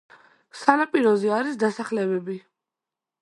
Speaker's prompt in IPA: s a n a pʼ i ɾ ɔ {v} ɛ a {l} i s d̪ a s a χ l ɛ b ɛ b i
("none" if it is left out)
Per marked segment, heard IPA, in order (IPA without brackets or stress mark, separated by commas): z, ɾ